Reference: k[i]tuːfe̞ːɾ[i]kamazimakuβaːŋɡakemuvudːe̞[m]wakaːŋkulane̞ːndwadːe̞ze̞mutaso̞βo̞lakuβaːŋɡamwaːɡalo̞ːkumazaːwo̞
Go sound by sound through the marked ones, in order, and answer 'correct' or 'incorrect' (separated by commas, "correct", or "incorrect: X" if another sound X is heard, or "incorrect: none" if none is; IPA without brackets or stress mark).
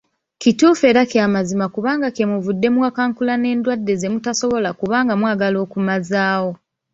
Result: correct, incorrect: a, correct